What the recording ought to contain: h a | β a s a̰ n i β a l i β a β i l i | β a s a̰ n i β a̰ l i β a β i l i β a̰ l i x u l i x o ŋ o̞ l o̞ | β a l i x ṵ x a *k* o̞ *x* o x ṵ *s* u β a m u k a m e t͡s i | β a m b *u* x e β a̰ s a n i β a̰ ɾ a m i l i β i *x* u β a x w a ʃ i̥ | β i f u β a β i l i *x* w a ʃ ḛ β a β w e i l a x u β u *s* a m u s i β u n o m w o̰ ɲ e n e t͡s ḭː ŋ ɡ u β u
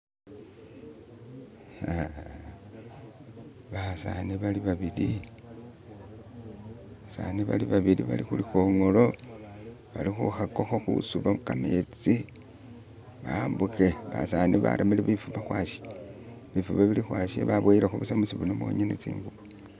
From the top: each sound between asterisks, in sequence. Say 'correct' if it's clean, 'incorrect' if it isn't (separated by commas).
correct, correct, correct, correct, incorrect, correct, correct